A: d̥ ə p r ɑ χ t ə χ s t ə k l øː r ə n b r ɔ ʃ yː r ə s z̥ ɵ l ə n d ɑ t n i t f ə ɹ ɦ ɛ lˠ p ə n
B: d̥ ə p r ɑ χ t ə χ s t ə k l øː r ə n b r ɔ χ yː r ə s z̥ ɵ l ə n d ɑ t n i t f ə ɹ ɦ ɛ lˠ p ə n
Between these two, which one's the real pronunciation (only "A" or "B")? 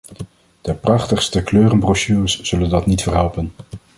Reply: A